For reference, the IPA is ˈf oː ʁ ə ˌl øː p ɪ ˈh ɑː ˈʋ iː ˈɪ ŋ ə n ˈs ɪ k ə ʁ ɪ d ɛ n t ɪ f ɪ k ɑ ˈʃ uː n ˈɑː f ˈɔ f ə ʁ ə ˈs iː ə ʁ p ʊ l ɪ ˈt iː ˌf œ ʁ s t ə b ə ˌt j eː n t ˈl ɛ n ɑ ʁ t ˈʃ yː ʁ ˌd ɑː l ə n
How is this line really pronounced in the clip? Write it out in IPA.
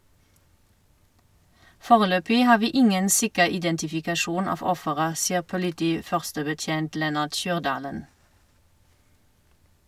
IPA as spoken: ˈf oː ʁ ə ˌl øː p ɪ ˈh ɑː ˈʋ iː ˈɪ ŋ ə n ˈs ɪ k ə ʁ ɪ d ɛ n t ɪ f ɪ k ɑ ˈʃ uː n ˈɑː f ˈɔ f ə ʁ ə ˈs iː ə ʁ p ʊ l ɪ ˈt iː ˌf œ ʁ s t ə b ə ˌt j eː n t ˈl ɛ n ɑ ʁ t ˈʃ yː ʁ ˌd ɑː l ə n